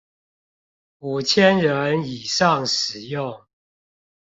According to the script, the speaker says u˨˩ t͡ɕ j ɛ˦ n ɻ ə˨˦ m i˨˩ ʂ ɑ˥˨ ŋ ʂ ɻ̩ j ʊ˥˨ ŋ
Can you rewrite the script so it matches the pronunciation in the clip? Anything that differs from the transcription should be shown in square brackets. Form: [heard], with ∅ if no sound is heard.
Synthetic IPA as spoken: u˨˩ [t͡ɕʰ] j ɛ˦ n ɻ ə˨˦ [n] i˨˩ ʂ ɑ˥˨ ŋ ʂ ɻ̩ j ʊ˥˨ ŋ